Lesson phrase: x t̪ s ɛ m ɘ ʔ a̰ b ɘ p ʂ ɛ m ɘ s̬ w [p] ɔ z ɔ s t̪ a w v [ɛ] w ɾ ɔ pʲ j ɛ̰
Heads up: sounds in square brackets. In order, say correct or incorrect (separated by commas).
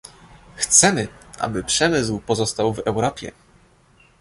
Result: correct, correct